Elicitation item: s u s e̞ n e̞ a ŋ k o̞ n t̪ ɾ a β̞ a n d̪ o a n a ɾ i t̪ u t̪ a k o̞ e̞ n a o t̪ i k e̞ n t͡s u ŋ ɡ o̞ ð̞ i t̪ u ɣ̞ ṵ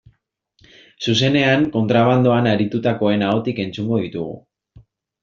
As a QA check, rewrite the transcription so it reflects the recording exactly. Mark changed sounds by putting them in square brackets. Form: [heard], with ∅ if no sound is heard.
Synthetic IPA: s u s e̞ n e̞ a ŋ k o̞ n t̪ ɾ a β̞ a n d̪ o a n a ɾ i t̪ u t̪ a k o̞ e̞ n a o t̪ i k e̞ n t͡s u ŋ ɡ o̞ ð̞ i t̪ u ɣ̞ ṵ

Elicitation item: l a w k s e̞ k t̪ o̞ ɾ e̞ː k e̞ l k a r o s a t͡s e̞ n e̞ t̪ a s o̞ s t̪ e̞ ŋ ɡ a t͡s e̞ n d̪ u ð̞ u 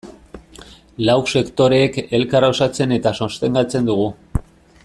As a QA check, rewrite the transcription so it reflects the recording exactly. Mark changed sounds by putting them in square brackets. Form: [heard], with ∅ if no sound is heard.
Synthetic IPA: l a w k s e̞ k t̪ o̞ ɾ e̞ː k e̞ l k a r o s a t͡s e̞ n e̞ t̪ a s o̞ s t̪ e̞ ŋ ɡ a t͡s e̞ n d̪ u [ɣ̞] u

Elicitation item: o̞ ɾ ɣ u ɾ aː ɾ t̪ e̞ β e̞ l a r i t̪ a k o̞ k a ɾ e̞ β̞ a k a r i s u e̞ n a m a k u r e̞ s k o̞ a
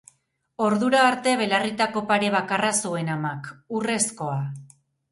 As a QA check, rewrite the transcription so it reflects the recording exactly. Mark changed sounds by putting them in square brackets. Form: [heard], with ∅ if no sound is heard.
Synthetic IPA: o̞ ɾ [ð] u ɾ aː ɾ t̪ e̞ β e̞ l a r i t̪ a k o̞ [p] a ɾ e̞ β̞ a k a r [a] s u e̞ n a m a k u r e̞ s k o̞ a

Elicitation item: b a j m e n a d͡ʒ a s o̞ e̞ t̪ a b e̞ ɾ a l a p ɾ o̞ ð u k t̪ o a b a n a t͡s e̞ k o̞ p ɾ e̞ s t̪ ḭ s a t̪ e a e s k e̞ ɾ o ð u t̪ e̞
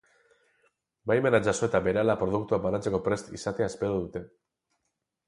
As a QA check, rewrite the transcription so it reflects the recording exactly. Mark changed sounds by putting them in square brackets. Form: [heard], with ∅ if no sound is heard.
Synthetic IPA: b a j m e n a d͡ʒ a s o̞ e̞ t̪ a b e̞ ɾ a l a p ɾ o̞ ð u k t̪ [u] a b a n a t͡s e̞ k o̞ p ɾ e̞ s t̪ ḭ s a t̪ e a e s [p] e̞ ɾ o ð u t̪ e̞

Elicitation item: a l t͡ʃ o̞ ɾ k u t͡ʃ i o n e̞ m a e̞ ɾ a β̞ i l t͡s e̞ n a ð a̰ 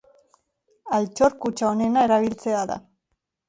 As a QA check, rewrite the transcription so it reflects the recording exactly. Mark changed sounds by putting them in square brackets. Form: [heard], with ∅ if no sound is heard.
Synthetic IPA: a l t͡ʃ o̞ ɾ k u t͡ʃ [a] o n e̞ [n] a e̞ ɾ a β̞ i l t͡s e̞ [∅] a ð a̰

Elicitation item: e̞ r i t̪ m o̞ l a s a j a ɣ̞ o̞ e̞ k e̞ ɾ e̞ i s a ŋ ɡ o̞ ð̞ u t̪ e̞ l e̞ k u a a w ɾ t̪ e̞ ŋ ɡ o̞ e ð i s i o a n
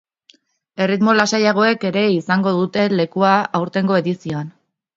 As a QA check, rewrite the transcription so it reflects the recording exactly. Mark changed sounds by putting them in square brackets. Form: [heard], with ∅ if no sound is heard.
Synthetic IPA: e̞ r i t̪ m o̞ l a s a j a ɣ̞ o̞ e̞ k e̞ ɾ e̞ i s a ŋ ɡ o̞ ð̞ u t̪ e̞ l e̞ k u a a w ɾ t̪ e̞ ŋ ɡ o̞ e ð i s i o a n

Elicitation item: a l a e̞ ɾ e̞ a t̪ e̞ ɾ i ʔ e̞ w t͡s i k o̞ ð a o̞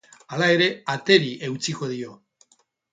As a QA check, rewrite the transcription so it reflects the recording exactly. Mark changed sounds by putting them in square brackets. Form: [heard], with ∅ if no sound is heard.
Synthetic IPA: a l a e̞ ɾ e̞ a t̪ e̞ ɾ i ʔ e̞ w t͡s i k o̞ ð [i] o̞

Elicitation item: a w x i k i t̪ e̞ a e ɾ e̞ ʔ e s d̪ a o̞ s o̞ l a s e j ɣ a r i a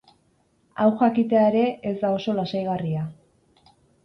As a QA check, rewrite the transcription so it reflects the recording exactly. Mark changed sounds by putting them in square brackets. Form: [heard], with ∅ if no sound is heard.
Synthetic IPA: a w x [a] k i t̪ e̞ a e ɾ e̞ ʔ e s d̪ a o̞ s o̞ l a s [a] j ɣ a r i a

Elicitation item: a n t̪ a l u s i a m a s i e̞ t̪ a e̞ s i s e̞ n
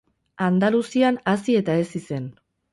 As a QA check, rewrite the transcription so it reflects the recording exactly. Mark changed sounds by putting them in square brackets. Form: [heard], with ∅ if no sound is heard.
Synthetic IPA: a n [d̪] a l u s i a [n] a s i e̞ t̪ a e̞ s i s e̞ n

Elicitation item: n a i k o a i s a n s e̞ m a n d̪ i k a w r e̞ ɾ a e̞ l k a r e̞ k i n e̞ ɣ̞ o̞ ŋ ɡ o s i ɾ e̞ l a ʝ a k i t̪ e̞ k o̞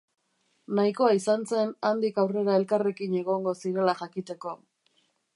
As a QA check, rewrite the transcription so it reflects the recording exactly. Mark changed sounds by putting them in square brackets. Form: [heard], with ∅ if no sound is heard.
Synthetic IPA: n a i k o a i s a n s e̞ [n] a n d̪ i k a w r e̞ ɾ a e̞ l k a r e̞ k i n e̞ ɣ̞ o̞ ŋ ɡ o s i ɾ e̞ l a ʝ a k i t̪ e̞ k o̞

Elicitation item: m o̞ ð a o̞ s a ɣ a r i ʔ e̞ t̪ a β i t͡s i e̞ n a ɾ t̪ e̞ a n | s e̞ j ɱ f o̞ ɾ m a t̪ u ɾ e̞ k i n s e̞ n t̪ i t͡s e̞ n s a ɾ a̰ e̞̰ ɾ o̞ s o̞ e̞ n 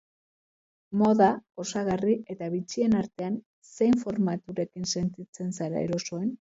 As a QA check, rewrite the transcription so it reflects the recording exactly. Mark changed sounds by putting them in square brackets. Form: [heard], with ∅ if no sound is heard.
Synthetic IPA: m o̞ ð a o̞ s a ɣ a r i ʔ e̞ t̪ a β i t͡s i e̞ n a ɾ t̪ e̞ a n | s e̞ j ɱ f o̞ ɾ m a t̪ u ɾ e̞ k i n s e̞ n t̪ i t͡s e̞ n s a ɾ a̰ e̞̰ ɾ o̞ s o̞ e̞ n

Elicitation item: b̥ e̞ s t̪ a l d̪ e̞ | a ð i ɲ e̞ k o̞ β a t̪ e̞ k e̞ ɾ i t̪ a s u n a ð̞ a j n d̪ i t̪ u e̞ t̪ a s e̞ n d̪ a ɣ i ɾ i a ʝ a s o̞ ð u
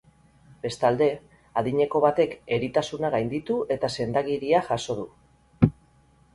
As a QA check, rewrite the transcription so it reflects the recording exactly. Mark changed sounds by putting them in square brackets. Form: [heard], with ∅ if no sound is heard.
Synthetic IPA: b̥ e̞ s t̪ a l d̪ e̞ | a ð i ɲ e̞ k o̞ β a t̪ e̞ k e̞ ɾ i t̪ a s u n a [ɣ̞] a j n d̪ i t̪ u e̞ t̪ a s e̞ n d̪ a ɣ i ɾ i a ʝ a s o̞ ð u

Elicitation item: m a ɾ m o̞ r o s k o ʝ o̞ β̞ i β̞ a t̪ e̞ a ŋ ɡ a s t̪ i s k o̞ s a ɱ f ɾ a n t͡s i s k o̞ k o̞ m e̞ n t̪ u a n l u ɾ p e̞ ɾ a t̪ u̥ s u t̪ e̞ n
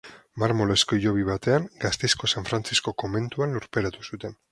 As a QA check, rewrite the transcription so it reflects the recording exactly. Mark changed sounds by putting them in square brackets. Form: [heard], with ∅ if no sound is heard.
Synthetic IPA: m a ɾ m o̞ [l] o s k o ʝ o̞ β̞ i β̞ a t̪ e̞ a ŋ ɡ a s t̪ [e] s k o̞ s a ɱ f ɾ a n t͡s i s k o̞ k o̞ m e̞ n t̪ u a n l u ɾ p e̞ ɾ a t̪ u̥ s u t̪ e̞ n

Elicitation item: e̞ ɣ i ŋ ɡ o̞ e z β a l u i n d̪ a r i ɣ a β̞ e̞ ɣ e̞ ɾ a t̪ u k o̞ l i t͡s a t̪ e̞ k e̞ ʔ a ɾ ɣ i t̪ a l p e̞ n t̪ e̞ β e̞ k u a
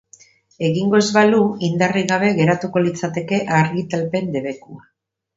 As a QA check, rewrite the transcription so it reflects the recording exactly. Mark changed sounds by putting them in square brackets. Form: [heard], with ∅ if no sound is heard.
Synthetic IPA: e̞ ɣ i ŋ ɡ o̞ e z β a l u i n d̪ a r i ɣ a β̞ e̞ ɣ e̞ ɾ a t̪ u k o̞ l i t͡s a t̪ e̞ k e̞ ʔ a ɾ ɣ i t̪ a l p e̞ n [d̪] e̞ β e̞ k u a

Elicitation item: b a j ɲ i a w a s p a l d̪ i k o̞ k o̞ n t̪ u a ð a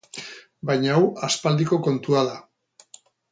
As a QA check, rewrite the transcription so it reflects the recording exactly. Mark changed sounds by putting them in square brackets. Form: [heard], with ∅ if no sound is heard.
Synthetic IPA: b a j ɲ [a] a w a s p a l d̪ i k o̞ k o̞ n t̪ u a ð a

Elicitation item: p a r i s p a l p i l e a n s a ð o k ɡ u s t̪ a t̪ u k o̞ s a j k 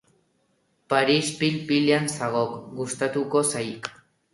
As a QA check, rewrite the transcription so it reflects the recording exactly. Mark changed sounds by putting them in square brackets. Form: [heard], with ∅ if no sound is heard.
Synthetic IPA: p a [ɾ] i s p [i] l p i l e a n s a [ɣ] o k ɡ u s t̪ a t̪ u k o̞ s a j k

